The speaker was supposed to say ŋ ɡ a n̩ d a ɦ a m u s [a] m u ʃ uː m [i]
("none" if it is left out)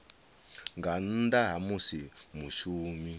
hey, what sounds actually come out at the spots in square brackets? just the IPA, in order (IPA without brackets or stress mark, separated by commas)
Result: i, i